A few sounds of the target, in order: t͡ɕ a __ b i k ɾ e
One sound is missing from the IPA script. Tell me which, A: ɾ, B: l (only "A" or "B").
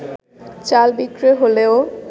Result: B